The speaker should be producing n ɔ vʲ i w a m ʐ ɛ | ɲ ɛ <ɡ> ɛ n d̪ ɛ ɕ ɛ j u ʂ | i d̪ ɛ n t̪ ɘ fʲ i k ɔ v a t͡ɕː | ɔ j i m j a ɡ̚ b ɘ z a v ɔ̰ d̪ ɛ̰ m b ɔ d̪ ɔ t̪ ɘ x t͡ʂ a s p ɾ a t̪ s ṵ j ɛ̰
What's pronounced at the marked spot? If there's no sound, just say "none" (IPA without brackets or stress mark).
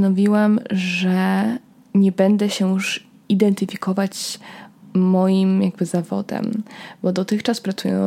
b